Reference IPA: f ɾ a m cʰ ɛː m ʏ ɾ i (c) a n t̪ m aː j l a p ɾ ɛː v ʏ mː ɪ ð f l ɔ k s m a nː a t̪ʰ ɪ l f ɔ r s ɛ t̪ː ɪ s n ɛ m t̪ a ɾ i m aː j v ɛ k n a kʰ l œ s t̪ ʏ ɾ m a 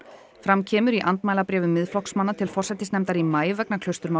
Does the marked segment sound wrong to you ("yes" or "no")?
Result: yes